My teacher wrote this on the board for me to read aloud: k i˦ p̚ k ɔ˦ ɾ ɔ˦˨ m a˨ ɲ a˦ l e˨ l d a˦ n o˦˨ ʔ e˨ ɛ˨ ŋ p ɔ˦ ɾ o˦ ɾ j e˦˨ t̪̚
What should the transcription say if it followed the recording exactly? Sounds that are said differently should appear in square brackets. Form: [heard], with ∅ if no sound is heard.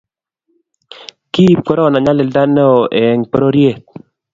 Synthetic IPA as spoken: k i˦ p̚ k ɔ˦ ɾ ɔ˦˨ [n] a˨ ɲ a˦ l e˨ l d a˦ n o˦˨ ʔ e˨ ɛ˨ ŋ p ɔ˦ ɾ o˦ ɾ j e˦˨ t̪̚